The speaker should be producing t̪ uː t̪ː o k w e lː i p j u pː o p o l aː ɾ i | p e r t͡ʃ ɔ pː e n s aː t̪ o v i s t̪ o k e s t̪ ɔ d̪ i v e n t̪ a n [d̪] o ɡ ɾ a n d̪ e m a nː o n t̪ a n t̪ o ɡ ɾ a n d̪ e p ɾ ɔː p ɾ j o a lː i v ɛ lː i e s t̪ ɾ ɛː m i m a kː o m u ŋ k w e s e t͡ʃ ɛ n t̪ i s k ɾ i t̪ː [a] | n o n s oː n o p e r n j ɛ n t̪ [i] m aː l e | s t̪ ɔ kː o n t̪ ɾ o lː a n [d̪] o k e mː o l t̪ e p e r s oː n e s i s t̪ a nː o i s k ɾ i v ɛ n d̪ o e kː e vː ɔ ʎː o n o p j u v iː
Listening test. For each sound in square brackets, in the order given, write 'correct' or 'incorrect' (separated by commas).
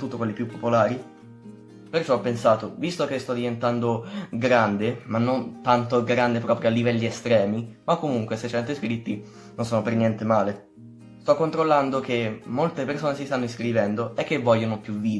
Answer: correct, incorrect, incorrect, correct